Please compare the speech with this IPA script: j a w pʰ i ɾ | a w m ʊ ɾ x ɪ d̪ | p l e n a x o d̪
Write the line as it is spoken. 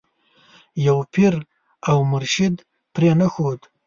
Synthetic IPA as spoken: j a w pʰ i ɾ | a w m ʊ ɾ ʃ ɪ d̪ | p ɾ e n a x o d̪